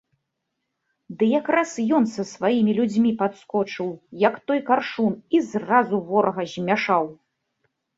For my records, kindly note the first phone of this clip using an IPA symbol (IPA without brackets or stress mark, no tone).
d̪